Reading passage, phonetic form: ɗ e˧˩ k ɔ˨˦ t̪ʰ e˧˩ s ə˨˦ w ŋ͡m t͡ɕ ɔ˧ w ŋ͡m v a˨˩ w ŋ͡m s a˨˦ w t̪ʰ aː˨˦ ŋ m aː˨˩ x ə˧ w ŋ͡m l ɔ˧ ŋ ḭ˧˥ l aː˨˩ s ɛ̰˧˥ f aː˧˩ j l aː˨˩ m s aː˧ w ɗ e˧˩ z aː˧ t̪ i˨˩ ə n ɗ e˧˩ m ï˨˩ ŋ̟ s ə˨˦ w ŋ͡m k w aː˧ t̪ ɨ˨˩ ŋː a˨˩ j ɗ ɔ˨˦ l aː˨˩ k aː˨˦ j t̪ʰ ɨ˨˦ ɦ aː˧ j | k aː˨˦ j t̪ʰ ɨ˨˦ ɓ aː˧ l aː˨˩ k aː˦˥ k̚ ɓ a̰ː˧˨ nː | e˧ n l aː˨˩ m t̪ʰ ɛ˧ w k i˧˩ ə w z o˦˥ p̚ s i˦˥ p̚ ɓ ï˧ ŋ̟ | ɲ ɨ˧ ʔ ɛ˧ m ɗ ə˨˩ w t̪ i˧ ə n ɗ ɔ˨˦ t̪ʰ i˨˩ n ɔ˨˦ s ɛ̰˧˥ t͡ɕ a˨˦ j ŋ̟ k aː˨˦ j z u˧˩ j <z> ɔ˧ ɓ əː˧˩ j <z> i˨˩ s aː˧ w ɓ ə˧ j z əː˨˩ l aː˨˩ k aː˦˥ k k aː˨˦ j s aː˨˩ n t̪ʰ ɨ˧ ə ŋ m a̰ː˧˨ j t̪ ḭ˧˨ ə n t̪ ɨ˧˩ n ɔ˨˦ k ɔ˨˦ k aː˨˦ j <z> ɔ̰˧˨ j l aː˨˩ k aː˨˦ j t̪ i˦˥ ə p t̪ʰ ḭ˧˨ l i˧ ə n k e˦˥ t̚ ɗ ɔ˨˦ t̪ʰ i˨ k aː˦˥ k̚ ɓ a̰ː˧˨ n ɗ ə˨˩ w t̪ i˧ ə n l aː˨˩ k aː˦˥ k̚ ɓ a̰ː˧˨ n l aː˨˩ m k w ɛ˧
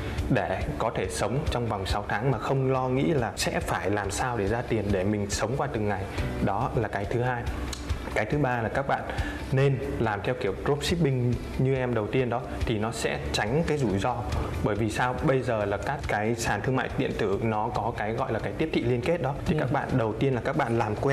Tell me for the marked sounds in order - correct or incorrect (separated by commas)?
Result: correct, incorrect, incorrect